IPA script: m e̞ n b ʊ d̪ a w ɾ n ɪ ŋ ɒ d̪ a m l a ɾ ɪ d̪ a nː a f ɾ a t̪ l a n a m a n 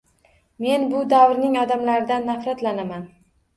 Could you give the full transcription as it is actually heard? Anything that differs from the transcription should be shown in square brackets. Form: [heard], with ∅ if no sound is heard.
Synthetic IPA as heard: m e̞ n b ʊ d̪ a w ɾ n ɪ ŋ ɒ d̪ a m l a ɾ ɪ d̪ a nː a f ɾ a t̪ l a n a m a n